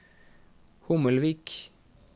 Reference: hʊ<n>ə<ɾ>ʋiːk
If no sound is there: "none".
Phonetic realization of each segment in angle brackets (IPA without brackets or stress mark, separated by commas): m, l